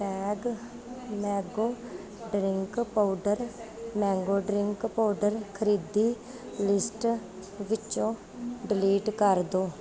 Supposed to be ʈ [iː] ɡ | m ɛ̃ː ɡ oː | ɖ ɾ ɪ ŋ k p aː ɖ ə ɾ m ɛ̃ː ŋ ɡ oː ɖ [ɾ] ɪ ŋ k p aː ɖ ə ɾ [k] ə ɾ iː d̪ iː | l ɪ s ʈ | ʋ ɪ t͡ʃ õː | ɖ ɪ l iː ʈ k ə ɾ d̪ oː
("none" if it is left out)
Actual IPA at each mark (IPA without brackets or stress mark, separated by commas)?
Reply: ɛː, ɾ, kʰ